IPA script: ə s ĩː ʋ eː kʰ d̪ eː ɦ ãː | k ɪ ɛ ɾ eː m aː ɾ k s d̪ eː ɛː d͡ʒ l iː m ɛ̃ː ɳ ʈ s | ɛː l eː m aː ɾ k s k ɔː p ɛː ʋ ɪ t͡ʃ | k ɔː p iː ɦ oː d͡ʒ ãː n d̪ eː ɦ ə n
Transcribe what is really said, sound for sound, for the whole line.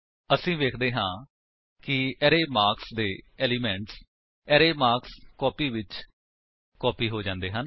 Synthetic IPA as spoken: ə s ĩː ʋ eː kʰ d̪ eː ɦ ãː | k ɪ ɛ ɾ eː m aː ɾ k s d̪ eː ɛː l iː m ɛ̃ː ɳ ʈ s | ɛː ɾ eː m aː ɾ k s k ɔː p iː ʋ ɪ t͡ʃ | k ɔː p iː ɦ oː d͡ʒ ãː n d̪ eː ɦ ə n

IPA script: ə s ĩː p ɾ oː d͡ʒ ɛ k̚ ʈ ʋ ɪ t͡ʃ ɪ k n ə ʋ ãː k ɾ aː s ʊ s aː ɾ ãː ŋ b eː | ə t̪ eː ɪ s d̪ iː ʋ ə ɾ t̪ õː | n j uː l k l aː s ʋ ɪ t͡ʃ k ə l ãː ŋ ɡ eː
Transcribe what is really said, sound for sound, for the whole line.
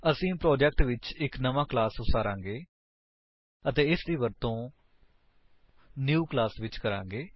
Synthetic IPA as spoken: ə s ĩː p ɾ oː d͡ʒ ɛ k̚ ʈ ʋ ɪ t͡ʃ ɪ k n ə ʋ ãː k l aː s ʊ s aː ɾ ãː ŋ ɡ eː | ə t̪ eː ɪ s d̪ iː ʋ ə ɾ t̪ õː | n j uː k l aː s ʋ ɪ t͡ʃ k ə ɾ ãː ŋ ɡ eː

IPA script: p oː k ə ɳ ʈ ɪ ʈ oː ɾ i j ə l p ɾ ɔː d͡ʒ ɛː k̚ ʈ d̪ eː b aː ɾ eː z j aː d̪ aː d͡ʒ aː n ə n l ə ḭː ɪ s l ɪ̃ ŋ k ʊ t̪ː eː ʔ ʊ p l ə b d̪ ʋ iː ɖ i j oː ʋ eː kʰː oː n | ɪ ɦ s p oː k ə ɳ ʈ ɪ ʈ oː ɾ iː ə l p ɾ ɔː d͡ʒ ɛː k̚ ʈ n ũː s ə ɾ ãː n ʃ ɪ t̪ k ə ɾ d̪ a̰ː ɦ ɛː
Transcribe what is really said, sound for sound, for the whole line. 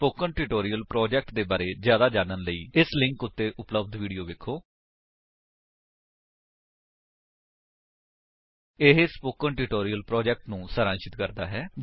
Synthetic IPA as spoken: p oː k ə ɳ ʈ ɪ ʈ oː ɾ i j ə l p ɾ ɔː d͡ʒ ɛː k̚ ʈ d̪ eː b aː ɾ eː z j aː d̪ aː d͡ʒ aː n ə n l ə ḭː ɪ s l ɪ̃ ŋ k ʊ t̪ː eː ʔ ʊ p l ə b d̪ ʋ iː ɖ i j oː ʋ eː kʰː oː | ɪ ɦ s p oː k ə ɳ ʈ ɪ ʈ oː ɾ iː ə l p ɾ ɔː d͡ʒ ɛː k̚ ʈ n ũː s ə ɾ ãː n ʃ ɪ t̪ k ə ɾ d̪ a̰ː ɦ ɛː

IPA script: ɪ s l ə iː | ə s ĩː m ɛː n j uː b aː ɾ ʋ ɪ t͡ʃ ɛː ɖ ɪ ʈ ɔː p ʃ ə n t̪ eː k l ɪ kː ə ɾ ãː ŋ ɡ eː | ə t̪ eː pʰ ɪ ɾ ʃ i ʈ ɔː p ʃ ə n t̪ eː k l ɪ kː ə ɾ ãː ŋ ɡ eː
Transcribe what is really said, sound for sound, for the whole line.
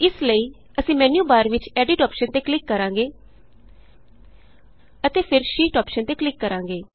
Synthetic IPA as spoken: ɪ s l ə iː | ə s ĩː m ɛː n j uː b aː ɾ ʋ ɪ t͡ʃ ɛː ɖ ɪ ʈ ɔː p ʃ ə n t̪ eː k l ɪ kː ə ɾ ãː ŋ ɡ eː | ə t̪ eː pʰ ɪ ɾ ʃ iː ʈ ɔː p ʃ ə n t̪ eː k l ɪ kː ə ɾ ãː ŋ ɡ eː

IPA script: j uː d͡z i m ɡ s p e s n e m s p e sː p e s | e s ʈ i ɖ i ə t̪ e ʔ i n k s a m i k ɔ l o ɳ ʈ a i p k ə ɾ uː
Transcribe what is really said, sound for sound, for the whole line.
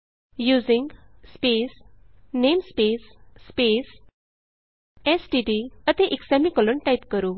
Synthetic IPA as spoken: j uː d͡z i ŋ ɡ s p e s n e m s p e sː p e s | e s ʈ i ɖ i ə t̪ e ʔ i k s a m i k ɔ l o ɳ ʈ a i p k ə ɾ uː

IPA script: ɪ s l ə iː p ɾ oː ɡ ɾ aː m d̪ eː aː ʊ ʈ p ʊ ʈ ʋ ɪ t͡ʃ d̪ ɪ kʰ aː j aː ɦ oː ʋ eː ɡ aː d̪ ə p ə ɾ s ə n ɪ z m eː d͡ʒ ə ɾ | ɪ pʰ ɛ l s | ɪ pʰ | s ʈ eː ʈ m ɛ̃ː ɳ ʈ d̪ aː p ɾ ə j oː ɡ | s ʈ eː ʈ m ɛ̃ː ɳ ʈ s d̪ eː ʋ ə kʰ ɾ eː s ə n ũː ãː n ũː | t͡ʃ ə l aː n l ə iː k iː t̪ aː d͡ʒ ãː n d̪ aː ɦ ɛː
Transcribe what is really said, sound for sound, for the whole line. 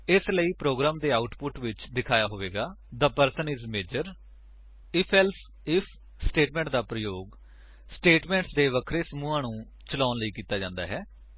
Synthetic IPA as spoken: ɪ s l ə iː p ɾ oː ɡ ɾ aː m d̪ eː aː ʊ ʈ p ʊ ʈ ʋ ɪ t͡ʃ d̪ ɪ kʰ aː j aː ɦ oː ʋ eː ɡ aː d̪ ə p ə ɾ s ə n ɪ z m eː d͡ʒ ə ɾ | ɪ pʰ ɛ l s | ɪ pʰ | s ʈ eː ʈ m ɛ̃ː ɳ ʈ d̪ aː p ɾ ə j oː ɡ | s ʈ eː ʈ m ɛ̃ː ɳ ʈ s d̪ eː ʋ ə kʰ ɾ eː s ə m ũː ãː n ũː | t͡ʃ ə l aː n l ə iː k iː t̪ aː d͡ʒ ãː n d̪ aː ɦ ɛː

